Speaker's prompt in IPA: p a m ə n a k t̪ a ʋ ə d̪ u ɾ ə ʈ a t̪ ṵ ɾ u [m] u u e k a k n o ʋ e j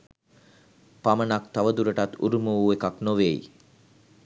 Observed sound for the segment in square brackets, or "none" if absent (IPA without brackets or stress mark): m